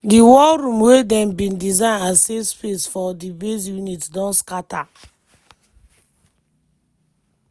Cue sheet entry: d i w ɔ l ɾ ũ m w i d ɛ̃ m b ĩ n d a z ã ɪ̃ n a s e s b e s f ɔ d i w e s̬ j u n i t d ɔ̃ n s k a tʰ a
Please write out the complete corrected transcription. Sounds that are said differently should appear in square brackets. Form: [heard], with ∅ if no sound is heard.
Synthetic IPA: d i w ɔ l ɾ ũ m w [e] d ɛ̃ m b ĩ n d [i] z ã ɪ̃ n a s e s [p] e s f ɔ d i [b] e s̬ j u n i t d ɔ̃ n s k a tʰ a